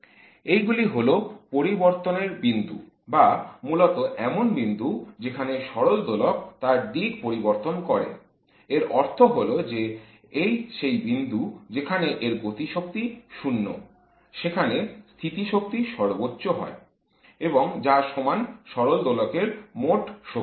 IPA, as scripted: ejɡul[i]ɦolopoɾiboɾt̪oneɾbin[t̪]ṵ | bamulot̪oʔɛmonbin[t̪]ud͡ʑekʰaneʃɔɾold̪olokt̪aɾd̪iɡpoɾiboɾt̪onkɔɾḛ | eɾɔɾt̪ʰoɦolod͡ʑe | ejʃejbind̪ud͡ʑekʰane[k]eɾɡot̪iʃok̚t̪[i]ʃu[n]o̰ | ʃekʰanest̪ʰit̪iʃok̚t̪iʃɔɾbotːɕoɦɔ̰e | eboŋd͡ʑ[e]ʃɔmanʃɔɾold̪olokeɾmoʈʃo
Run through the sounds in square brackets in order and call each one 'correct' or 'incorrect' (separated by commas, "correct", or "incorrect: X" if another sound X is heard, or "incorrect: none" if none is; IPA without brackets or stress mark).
correct, incorrect: d̪, incorrect: d̪, incorrect: ʔ, correct, incorrect: nː, incorrect: a